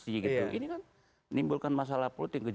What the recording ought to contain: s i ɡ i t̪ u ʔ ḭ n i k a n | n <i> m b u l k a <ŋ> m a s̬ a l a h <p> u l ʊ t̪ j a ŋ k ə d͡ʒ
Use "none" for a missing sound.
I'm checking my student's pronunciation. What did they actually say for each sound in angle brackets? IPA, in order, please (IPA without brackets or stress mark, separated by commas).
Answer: i, n, p